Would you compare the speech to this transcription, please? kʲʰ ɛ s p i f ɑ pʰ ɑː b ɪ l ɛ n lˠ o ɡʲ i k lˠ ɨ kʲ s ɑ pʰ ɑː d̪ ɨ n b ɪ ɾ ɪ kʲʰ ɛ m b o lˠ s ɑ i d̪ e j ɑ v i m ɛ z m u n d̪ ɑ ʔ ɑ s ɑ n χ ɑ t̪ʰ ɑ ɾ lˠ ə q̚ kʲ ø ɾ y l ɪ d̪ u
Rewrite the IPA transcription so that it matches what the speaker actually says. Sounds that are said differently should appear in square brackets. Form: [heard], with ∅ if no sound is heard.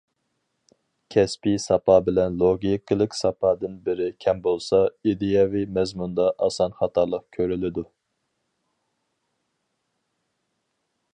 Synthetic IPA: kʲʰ ɛ s p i [s] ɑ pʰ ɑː b ɪ l ɛ n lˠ o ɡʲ i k lˠ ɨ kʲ s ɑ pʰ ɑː d̪ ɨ n b ɪ ɾ ɪ kʲʰ ɛ m b o lˠ s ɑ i d̪ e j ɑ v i m ɛ z m u n d̪ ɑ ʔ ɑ s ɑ n χ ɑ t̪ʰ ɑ ɾ lˠ ə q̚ [kʲʰ] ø ɾ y l ɪ d̪ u